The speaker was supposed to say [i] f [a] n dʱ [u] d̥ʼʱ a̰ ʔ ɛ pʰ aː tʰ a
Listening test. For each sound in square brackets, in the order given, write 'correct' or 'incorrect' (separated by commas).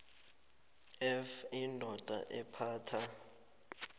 incorrect, incorrect, incorrect